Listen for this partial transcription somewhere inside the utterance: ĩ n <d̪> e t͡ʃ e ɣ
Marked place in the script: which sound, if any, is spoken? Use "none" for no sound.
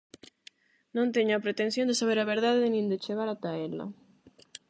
d̪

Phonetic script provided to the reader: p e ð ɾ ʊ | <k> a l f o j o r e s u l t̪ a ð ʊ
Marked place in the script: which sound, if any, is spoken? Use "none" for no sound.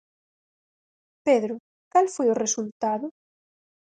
k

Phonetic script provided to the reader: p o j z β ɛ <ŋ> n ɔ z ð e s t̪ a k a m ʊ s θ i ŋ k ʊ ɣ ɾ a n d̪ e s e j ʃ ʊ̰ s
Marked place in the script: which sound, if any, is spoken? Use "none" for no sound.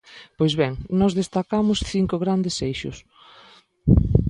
ŋ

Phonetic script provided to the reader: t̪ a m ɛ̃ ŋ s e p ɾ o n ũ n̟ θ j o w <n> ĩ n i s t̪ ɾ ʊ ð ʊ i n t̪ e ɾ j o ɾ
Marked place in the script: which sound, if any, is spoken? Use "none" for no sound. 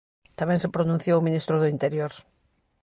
m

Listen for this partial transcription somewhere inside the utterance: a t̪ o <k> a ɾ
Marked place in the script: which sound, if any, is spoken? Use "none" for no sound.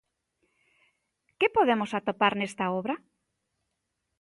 p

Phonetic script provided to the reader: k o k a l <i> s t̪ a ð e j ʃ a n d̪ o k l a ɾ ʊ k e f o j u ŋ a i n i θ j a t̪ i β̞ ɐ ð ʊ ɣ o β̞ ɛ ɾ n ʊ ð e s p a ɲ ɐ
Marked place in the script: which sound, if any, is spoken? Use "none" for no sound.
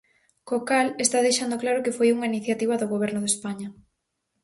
e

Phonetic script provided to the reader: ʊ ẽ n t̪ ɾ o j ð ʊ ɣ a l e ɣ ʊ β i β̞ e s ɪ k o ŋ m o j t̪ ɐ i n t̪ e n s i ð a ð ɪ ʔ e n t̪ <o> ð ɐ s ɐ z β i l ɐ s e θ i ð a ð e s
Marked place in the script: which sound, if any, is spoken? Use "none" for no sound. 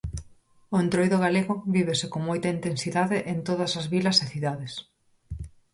o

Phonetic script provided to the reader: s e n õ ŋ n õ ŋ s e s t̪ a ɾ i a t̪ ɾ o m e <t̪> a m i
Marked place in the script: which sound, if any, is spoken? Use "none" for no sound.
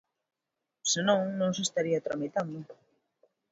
t̪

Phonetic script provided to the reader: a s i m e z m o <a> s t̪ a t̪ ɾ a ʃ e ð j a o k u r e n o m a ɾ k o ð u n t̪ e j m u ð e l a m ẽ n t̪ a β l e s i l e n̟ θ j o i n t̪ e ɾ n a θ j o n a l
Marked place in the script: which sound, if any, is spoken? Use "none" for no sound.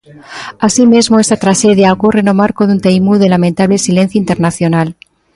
e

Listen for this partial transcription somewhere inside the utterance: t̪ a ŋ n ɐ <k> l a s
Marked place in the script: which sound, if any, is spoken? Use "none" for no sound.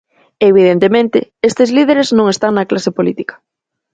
k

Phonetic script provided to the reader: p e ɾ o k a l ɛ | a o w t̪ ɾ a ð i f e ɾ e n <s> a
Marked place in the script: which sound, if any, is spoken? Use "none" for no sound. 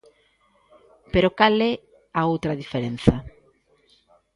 θ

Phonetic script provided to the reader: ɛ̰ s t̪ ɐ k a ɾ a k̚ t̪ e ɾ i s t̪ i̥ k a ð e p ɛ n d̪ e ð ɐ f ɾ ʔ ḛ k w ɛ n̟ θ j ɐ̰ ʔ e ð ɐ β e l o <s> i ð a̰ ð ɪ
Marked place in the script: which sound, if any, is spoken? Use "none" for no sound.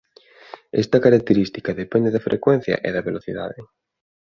θ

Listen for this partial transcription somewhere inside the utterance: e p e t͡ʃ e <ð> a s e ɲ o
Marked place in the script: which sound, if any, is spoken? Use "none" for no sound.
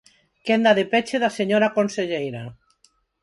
ð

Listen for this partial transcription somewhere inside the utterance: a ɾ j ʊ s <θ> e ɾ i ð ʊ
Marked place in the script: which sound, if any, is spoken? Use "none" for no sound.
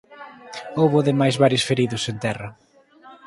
f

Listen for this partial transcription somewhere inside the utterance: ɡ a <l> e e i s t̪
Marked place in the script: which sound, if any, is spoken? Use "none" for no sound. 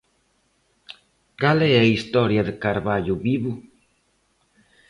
l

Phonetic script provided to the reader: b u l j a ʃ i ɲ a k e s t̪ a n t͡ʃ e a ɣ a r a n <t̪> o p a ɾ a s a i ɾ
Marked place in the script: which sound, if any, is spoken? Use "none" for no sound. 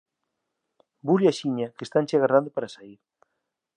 d̪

